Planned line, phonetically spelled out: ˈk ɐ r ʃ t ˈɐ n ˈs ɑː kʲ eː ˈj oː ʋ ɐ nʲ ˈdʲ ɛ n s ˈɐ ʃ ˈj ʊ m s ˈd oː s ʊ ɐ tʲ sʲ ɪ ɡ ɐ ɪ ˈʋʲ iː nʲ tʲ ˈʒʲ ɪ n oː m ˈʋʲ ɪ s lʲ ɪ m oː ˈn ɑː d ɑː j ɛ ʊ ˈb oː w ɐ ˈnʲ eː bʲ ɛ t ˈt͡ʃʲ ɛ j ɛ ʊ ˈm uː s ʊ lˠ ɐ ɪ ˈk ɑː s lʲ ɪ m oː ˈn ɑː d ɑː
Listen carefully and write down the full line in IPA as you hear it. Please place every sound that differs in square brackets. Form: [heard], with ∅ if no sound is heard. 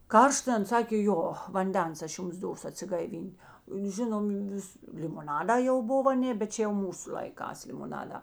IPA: ˈk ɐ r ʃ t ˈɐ n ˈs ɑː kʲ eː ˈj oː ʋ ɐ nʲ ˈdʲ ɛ n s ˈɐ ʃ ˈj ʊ m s ˈd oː s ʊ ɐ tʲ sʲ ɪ ɡ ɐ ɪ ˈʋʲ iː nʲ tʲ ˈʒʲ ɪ n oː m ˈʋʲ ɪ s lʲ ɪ m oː ˈn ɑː d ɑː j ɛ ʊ ˈb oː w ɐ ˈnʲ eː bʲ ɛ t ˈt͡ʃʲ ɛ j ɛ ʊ ˈm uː s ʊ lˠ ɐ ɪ ˈk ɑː s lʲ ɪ m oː ˈn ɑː d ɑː